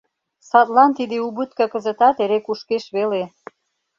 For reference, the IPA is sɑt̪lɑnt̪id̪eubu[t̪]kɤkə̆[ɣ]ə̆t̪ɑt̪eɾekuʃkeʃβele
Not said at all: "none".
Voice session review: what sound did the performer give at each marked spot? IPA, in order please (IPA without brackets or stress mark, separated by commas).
t̪, z